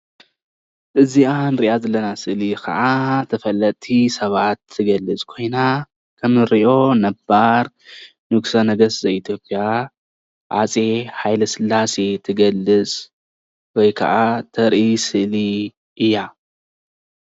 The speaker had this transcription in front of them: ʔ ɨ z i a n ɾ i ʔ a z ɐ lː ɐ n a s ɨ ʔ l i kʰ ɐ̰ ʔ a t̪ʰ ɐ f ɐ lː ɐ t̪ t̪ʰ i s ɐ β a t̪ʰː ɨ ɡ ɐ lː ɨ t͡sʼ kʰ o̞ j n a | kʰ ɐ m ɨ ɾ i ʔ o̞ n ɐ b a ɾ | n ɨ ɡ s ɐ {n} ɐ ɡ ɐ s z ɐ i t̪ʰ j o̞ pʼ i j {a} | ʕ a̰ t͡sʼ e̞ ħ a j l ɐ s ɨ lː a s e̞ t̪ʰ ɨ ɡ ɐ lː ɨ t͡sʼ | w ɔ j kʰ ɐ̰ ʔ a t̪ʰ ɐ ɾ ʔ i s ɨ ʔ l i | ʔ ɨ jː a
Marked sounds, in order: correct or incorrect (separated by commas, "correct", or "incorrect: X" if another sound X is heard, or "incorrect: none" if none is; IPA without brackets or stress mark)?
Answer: correct, correct